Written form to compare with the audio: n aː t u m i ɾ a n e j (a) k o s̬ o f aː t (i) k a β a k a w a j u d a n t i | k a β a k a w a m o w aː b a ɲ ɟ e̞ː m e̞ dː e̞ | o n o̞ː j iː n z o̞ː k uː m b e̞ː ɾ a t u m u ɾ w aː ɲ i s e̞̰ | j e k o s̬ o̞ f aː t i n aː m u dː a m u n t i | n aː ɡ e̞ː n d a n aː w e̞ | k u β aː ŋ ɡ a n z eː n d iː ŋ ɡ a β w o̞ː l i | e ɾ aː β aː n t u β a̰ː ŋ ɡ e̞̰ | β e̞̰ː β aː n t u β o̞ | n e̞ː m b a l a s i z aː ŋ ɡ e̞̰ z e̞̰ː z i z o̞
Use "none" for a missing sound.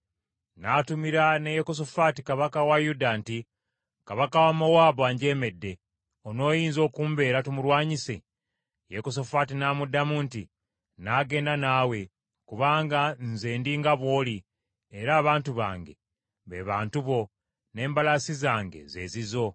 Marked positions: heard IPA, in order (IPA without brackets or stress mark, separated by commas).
e, i